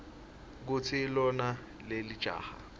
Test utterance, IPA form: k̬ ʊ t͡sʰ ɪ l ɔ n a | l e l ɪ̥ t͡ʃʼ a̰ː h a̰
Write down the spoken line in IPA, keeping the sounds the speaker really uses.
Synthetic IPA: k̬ ʊ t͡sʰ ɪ l ɔ n a | l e l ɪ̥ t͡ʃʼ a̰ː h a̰